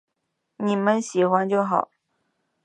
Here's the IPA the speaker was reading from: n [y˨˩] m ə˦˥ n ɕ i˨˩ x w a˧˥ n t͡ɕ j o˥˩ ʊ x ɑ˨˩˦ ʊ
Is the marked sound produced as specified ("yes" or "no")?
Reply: no